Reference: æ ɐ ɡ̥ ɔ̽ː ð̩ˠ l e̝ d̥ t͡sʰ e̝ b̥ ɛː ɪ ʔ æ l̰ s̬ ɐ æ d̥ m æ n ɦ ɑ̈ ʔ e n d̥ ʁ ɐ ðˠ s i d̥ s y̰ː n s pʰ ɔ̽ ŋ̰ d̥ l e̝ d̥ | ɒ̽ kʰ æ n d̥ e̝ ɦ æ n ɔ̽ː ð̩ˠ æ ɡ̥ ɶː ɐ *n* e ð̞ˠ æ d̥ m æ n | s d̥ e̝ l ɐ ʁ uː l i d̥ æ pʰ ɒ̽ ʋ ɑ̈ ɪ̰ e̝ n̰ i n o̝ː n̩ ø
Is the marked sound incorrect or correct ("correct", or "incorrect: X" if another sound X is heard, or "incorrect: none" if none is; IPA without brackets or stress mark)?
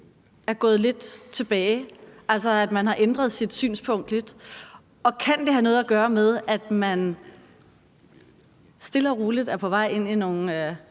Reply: incorrect: m